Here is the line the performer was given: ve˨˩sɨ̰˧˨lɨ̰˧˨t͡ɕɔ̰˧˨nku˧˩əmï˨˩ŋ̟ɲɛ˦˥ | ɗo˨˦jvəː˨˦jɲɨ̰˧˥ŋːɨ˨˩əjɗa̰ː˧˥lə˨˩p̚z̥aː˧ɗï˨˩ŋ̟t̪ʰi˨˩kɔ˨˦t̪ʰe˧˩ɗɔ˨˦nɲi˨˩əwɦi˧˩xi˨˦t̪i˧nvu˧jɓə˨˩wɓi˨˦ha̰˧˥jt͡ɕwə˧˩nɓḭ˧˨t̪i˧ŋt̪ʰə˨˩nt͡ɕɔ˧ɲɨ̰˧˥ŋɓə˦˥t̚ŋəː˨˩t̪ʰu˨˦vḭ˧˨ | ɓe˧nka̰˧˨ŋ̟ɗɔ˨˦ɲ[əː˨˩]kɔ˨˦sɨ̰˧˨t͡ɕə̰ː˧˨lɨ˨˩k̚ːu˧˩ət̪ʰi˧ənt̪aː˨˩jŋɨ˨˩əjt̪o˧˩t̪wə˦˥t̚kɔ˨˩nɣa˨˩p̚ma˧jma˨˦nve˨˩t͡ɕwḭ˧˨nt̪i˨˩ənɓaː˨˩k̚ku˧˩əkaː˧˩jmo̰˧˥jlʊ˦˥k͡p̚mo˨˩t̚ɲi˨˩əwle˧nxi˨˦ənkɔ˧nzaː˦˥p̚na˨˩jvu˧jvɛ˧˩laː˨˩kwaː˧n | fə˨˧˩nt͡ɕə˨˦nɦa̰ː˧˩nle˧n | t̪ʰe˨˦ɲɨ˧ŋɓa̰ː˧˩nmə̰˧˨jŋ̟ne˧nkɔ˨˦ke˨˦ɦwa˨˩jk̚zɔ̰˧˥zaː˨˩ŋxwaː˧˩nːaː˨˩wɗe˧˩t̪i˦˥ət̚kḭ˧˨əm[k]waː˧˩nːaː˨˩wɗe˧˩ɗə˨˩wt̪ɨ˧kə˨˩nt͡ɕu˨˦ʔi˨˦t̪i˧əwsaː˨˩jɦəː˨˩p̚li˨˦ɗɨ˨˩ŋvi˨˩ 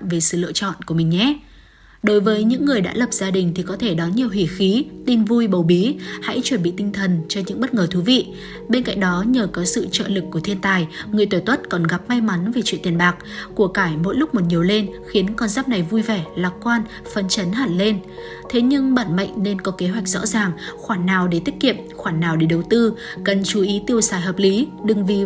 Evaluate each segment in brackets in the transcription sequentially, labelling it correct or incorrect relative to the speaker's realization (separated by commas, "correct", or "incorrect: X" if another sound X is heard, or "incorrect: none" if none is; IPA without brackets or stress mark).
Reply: correct, incorrect: x